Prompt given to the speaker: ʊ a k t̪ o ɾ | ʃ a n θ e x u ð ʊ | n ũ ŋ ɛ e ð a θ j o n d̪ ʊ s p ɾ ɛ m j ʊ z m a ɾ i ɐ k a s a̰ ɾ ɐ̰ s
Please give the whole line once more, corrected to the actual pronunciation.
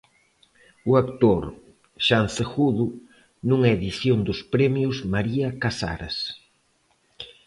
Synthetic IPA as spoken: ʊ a k t̪ o ɾ | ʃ a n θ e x u ð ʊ | n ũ ŋ ɛ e ð i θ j o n d̪ ʊ s p ɾ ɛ m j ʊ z m a ɾ i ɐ k a s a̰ ɾ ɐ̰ s